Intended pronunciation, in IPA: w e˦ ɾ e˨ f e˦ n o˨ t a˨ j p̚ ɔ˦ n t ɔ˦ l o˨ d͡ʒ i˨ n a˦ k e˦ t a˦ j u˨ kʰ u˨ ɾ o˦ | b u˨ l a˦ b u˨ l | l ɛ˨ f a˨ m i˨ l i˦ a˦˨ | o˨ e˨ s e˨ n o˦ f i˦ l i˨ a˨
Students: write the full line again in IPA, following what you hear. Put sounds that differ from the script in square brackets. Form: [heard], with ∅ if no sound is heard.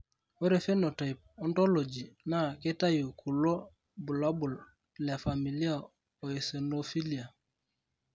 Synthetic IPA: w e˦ ɾ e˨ f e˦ n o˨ t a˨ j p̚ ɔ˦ n t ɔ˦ l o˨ d͡ʒ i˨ n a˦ k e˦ t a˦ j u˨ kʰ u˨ [l] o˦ | b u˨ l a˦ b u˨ l | l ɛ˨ f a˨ m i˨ l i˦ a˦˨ | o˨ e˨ s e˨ n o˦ f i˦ l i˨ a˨